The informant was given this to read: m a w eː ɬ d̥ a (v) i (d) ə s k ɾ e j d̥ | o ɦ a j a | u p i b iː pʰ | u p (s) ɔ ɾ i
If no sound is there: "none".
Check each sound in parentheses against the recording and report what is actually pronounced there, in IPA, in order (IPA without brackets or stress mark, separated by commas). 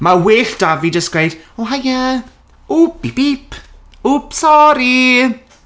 v, d, s